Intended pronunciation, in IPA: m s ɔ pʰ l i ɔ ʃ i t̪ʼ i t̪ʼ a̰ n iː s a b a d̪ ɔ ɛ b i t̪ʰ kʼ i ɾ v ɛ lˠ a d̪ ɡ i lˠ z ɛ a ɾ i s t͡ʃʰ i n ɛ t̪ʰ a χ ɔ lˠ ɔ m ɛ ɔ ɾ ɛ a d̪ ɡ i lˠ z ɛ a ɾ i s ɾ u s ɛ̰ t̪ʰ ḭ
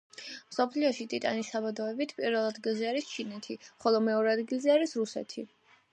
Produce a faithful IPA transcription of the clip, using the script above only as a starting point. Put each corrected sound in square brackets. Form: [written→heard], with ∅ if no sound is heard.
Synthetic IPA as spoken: m s ɔ pʰ l i ɔ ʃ i t̪ʼ i t̪ʼ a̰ n [iː→i] s a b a d̪ ɔ ɛ b i t̪ʰ [kʼ→pʼ] i ɾ v ɛ lˠ a d̪ ɡ i lˠ z ɛ a ɾ i s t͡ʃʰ i n ɛ t̪ʰ [a→i] χ ɔ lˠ ɔ m ɛ ɔ ɾ ɛ a d̪ ɡ i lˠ z ɛ a ɾ i s ɾ u s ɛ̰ t̪ʰ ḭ